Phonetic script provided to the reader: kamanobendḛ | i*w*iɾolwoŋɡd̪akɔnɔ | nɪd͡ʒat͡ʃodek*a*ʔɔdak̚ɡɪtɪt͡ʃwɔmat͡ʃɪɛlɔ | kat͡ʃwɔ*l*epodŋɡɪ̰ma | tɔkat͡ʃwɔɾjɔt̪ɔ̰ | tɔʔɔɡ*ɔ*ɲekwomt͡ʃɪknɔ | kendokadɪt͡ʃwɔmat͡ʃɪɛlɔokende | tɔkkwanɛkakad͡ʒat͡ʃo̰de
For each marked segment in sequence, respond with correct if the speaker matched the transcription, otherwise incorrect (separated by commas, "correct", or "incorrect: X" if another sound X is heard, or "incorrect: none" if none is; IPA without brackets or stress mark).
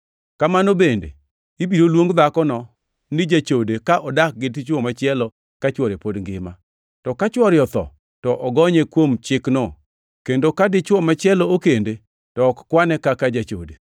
incorrect: b, correct, incorrect: ɾ, correct